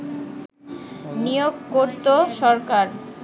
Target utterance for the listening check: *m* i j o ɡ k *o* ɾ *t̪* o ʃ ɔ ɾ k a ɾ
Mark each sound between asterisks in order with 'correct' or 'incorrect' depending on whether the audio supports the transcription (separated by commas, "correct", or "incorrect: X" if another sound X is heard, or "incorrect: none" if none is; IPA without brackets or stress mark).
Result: incorrect: n, correct, correct